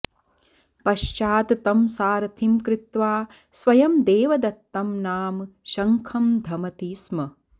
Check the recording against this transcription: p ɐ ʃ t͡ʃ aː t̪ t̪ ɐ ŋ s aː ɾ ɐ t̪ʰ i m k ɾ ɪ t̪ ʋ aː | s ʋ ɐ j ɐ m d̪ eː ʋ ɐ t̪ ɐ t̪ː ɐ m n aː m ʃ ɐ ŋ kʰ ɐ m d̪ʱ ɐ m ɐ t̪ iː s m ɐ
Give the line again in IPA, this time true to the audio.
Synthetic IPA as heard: p ɐ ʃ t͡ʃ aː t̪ t̪ ɐ m s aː ɾ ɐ t̪ʰ i m k ɾ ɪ t̪ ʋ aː | s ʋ ɐ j ɐ m d̪ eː ʋ ɐ d̪ ɐ t̪ː ɐ m n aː m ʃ ɐ ŋ kʰ ɐ m d̪ʱ ɐ m ɐ t̪ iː s m ɐ